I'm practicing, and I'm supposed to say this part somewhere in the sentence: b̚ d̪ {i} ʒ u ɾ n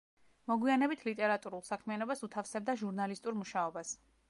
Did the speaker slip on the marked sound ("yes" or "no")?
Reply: yes